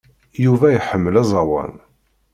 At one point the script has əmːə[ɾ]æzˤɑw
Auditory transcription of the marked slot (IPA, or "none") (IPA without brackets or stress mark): l